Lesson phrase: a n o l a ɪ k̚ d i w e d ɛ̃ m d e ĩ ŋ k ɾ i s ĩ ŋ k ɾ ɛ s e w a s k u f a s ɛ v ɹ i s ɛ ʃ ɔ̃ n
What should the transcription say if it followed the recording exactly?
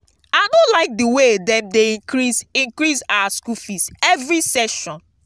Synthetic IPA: a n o l a ɪ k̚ d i w e d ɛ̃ m d e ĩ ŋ k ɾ i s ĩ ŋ k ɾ i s a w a s k u f i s ɛ v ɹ i s ɛ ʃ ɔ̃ n